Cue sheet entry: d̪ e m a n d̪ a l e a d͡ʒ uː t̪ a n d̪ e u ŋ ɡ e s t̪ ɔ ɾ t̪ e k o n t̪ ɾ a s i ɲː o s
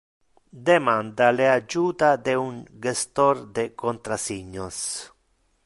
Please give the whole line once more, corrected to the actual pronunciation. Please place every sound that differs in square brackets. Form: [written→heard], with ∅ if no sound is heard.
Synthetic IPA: d̪ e m a n d̪ a l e a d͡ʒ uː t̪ a [n→∅] d̪ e u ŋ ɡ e s t̪ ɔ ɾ [t̪→d̪] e k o n t̪ ɾ a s i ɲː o s